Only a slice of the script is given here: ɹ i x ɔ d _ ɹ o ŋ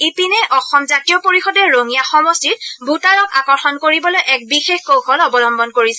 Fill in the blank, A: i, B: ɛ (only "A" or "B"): B